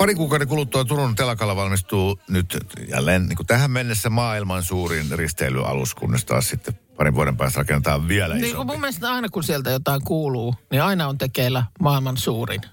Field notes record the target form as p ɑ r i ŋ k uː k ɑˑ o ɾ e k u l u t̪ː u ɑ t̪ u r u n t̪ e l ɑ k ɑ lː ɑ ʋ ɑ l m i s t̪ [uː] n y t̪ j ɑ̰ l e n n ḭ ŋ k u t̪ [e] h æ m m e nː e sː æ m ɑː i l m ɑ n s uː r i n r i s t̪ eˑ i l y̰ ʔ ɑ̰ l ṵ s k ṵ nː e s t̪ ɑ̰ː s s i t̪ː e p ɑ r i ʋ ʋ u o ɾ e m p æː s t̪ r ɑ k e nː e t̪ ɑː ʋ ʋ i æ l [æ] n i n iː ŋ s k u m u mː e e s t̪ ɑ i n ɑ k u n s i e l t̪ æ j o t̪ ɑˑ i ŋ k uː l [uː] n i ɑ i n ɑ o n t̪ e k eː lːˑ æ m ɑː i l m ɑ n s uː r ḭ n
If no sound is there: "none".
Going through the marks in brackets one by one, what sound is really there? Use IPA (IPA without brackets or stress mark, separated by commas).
uː, æ, æ, uː